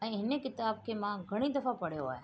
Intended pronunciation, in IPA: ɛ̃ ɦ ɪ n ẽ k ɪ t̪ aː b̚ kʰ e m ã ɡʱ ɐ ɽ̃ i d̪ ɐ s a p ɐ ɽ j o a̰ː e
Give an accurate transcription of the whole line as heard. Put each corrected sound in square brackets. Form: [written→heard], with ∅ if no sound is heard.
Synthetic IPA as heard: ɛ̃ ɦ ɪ n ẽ k ɪ t̪ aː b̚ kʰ e m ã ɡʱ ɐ ɽ̃ i d̪ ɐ [s→f] a p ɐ ɽ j o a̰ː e